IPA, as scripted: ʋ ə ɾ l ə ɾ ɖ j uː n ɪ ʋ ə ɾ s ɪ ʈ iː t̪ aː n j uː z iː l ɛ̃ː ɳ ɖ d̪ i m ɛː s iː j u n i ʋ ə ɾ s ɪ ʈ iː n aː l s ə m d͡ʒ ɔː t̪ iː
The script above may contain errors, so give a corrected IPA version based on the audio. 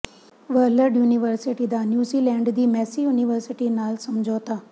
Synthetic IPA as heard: ʋ ə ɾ l ə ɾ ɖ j uː n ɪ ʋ ə ɾ s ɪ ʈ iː d̪ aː n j uː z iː l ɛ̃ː ɳ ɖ d̪ iː m ɛː s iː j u n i ʋ ə ɾ s ɪ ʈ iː n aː l s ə m d͡ʒ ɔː t̪ aː